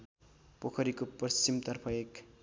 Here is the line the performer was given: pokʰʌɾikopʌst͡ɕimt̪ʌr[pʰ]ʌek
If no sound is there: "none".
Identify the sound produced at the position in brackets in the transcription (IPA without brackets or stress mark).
pʰ